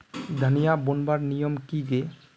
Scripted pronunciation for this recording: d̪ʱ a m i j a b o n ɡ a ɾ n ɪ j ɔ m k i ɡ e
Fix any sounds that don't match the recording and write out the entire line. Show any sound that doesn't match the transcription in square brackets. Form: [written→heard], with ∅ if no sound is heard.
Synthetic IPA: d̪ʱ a [m→n] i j a b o n [ɡ→b] a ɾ n [ɪ→i] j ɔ m k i ɡ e